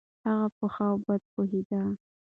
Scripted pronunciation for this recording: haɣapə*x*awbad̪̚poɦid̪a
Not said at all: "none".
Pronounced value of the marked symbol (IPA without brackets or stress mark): x